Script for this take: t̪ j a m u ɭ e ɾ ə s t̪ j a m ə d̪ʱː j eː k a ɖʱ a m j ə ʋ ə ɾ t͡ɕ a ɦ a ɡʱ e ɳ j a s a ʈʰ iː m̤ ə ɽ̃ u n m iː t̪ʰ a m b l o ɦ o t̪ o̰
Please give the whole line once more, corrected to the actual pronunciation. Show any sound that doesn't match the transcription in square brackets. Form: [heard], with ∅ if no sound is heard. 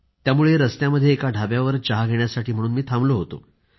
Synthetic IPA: t̪ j a m u ɭ e ɾ ə s t̪ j a m ə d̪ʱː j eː k a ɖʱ a [b] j [a] ʋ ə ɾ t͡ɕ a ɦ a ɡʱ e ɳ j a s a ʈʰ iː m̤ ə ɽ̃ [uː] n m iː t̪ʰ a m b l o ɦ o t̪ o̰